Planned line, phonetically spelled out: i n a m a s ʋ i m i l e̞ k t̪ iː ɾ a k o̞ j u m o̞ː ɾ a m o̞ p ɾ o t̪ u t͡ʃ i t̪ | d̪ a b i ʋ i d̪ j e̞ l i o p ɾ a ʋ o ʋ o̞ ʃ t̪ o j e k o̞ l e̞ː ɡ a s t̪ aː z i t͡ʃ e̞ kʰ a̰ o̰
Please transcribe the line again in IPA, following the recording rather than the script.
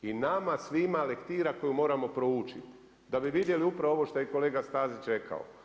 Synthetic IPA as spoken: i n a m a s ʋ i m a l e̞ k t̪ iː ɾ a k o̞ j u m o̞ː ɾ a m o̞ p ɾ o u t͡ʃ i t̪ | d̪ a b i ʋ i d̪ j e̞ l i u p ɾ a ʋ o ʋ o̞ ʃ t̪ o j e k o̞ l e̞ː ɡ a s t̪ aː z i t͡ʃ e̞ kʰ a̰ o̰